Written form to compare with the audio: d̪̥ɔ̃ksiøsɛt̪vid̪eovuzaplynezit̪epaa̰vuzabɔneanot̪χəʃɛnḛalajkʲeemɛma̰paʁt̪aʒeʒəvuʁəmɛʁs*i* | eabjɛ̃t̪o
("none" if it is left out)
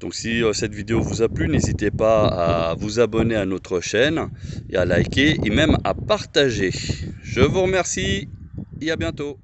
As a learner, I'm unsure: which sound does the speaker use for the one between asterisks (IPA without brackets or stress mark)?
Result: i